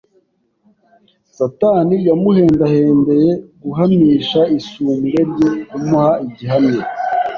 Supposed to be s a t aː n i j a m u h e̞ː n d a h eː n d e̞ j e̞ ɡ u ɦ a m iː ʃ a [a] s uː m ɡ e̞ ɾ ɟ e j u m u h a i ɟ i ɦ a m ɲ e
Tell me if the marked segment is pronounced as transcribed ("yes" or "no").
no